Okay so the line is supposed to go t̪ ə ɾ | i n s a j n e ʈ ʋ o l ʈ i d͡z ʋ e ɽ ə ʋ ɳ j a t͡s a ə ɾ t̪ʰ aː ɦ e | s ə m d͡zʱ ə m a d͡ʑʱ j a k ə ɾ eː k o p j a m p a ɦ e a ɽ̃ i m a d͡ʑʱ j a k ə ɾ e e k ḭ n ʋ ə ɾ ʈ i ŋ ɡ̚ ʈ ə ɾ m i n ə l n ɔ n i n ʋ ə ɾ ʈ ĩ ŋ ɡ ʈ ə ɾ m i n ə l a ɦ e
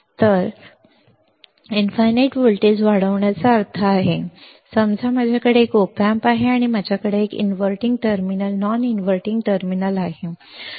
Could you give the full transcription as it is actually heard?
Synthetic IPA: t̪ ə ɾ | i n f a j n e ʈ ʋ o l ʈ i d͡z ʋ a ɽ ə ʋ ɳ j a t͡s a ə ɾ t̪ʰ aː ɦ e | s ə m d͡zʱ a m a d͡ʑʱ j a k ə ɽ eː k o p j a m p a ɦ e a ɽ̃ i m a d͡ʑʱ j a k ə ɽ e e k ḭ n ʋ ə ɾ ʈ i ŋ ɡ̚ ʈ ə ɾ m i n ə l n ɔ n i n ʋ ə ɾ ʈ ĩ ŋ ɡ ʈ ə ɾ m i n ə l a ɦ e